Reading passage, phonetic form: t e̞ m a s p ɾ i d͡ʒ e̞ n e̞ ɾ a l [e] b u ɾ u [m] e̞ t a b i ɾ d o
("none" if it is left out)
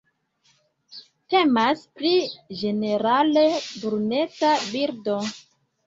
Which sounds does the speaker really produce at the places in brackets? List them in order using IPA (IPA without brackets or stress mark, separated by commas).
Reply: e, n